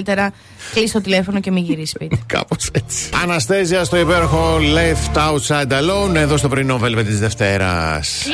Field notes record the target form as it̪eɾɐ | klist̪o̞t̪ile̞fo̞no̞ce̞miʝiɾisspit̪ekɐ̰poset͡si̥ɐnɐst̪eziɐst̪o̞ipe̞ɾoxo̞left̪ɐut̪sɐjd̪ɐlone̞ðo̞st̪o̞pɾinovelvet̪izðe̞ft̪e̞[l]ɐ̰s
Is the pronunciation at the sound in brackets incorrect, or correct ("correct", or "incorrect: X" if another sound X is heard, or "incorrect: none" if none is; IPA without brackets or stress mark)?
incorrect: ɾ